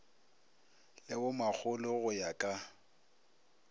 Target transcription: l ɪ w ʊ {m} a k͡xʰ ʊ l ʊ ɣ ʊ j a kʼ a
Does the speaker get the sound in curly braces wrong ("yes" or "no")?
no